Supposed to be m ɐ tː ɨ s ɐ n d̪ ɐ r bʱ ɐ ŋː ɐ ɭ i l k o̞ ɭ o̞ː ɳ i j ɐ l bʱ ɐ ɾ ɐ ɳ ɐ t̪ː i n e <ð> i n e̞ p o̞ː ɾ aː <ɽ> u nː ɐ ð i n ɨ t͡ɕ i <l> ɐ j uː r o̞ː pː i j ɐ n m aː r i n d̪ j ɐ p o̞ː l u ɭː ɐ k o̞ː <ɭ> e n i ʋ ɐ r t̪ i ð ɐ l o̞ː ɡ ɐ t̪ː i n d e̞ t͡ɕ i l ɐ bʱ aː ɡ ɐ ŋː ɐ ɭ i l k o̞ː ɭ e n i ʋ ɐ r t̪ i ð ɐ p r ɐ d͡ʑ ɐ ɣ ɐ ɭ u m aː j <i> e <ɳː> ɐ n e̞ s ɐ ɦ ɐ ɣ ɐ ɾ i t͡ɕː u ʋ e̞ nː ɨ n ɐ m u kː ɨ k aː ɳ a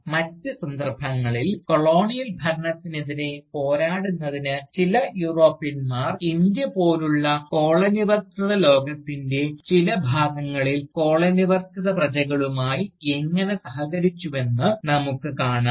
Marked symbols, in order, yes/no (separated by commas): yes, yes, yes, yes, yes, no